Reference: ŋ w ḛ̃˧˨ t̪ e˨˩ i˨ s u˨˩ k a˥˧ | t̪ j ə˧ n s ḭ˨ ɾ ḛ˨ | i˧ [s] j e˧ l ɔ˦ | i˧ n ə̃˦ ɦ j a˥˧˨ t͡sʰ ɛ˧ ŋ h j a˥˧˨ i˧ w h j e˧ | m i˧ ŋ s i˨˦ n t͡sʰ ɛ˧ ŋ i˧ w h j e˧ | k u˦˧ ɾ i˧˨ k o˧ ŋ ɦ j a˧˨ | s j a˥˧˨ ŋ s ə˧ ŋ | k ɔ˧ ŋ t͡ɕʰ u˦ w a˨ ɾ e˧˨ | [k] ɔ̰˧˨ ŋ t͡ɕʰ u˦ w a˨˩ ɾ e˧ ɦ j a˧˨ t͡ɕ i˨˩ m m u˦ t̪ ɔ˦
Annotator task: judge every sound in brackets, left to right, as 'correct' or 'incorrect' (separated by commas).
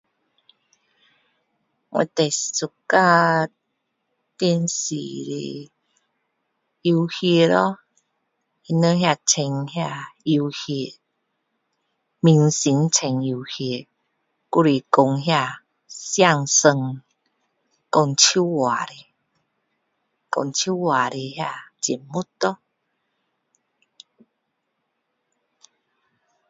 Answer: incorrect, correct